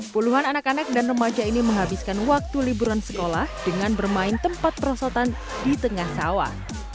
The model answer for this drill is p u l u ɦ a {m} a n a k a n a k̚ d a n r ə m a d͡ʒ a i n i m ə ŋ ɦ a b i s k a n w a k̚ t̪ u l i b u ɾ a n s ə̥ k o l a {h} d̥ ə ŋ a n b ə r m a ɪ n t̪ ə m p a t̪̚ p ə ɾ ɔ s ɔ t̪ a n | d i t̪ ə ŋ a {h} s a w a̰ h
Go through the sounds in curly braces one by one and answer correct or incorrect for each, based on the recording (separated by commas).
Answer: incorrect, correct, correct